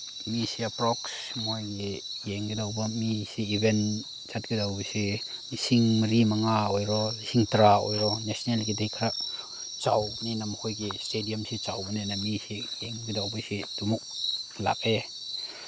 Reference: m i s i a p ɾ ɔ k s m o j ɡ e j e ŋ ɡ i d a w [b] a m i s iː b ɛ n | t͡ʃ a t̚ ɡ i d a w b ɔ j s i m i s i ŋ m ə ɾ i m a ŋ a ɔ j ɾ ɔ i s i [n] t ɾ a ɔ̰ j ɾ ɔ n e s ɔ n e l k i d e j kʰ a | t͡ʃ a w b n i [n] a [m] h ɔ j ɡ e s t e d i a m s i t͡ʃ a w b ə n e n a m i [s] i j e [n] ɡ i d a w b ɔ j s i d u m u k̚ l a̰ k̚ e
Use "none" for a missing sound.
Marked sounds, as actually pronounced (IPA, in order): b, ŋ, n, m, s, ŋ

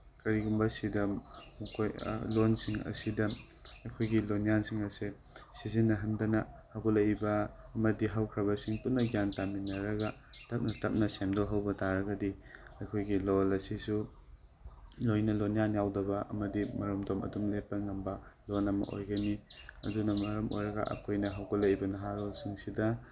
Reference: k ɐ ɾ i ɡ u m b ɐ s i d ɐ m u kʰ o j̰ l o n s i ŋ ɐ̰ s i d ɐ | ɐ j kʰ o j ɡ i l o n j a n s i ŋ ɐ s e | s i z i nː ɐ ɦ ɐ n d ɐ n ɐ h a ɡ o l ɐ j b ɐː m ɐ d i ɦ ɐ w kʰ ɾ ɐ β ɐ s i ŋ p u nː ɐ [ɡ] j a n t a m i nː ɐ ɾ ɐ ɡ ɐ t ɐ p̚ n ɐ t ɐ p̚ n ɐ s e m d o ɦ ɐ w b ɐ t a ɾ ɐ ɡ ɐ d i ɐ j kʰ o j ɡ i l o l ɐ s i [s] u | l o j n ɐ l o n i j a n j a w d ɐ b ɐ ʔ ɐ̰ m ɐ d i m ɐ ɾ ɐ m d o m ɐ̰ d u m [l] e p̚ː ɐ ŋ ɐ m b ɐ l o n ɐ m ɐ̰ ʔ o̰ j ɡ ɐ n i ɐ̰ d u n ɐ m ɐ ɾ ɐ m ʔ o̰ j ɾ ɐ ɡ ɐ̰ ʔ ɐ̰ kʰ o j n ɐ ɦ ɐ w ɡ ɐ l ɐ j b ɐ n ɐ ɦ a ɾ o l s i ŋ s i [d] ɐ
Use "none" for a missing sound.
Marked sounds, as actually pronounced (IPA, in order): ɡ, s, l, d

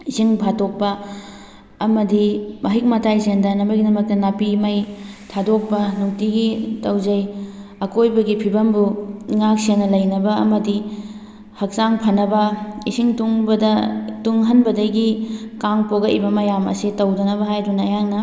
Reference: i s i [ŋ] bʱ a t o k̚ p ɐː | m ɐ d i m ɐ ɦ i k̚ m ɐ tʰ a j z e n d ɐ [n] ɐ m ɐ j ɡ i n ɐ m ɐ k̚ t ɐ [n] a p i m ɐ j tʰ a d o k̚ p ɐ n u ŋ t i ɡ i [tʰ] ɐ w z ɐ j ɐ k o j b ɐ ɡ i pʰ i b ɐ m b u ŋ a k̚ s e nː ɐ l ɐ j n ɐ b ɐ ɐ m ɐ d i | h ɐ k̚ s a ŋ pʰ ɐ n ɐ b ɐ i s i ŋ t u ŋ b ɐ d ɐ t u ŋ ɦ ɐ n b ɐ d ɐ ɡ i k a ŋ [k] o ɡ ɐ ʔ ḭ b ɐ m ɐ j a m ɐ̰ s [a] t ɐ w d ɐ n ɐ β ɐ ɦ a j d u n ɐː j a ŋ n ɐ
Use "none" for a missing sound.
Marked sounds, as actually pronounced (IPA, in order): ŋ, n, n, t, p, i

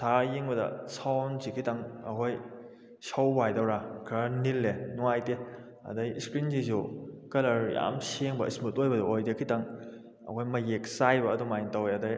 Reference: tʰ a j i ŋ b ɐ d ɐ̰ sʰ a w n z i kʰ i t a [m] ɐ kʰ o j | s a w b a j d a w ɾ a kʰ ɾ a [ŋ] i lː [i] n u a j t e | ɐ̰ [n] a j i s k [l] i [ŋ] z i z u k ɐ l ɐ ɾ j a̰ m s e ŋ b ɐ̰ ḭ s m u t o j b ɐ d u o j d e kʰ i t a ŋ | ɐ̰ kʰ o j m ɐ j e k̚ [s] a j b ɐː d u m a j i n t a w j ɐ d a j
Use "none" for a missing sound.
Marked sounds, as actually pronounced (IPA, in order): ŋ, n, e, d, ɾ, n, s

